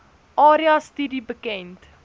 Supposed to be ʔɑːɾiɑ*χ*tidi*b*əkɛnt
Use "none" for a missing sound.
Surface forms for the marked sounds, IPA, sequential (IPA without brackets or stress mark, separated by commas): s, b